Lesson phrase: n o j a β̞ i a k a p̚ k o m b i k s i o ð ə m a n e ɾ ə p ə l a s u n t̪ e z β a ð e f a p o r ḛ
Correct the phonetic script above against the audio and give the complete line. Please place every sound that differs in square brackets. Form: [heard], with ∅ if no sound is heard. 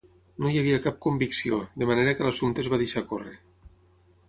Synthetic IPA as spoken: n o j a β̞ i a k a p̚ k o m b i k s i o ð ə m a n e ɾ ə [k] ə l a s u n t̪ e z β a ð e [ʃ] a [k] o r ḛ